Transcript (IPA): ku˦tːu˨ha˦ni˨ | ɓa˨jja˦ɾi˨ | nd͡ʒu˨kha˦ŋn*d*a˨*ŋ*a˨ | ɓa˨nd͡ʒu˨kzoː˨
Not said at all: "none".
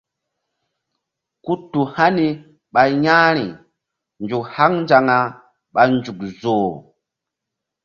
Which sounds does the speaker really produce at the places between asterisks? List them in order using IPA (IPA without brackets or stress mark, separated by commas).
d͡ʒ, ŋ